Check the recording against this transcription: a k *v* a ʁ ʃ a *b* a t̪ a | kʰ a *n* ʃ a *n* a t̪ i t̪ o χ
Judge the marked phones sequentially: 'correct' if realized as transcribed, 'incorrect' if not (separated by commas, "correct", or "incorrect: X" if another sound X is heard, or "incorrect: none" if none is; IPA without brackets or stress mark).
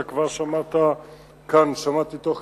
correct, incorrect: m, correct, incorrect: m